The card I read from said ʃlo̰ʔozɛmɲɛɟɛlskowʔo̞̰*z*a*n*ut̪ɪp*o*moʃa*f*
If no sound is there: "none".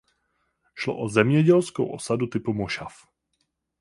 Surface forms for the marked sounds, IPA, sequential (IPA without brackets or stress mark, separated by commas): s, d, u, f